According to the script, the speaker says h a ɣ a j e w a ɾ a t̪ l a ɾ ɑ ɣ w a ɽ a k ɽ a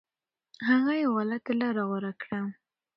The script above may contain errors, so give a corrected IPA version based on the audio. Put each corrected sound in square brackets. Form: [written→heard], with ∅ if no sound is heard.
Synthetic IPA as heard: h a ɣ a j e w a [ɾ→l] a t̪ l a ɾ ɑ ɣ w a [ɽ→ɾ] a k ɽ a